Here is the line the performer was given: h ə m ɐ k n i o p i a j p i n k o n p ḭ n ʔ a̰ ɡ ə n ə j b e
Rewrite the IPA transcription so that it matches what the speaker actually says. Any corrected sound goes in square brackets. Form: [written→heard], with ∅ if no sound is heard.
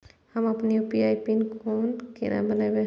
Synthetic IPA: h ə m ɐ [k→p] n i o p i a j p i n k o n [p→k] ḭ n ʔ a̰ [ɡ→b] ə n [ə→a] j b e